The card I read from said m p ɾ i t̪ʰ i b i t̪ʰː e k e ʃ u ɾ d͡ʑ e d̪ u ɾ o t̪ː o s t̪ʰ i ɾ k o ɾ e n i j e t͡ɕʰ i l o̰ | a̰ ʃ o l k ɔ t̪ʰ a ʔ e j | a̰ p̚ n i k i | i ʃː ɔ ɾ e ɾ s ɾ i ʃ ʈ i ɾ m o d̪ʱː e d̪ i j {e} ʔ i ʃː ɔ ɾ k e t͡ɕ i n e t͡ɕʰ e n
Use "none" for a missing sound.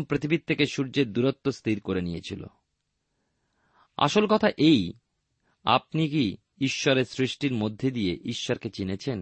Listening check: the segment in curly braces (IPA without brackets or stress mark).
e